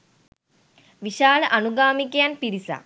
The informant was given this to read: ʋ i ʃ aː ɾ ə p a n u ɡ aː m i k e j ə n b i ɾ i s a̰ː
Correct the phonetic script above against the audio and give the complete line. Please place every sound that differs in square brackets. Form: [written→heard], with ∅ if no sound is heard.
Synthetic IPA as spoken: ʋ i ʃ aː [ɾ→l] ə [p→ʔ] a n u ɡ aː m i k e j [ə→a] n [b→p] i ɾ i s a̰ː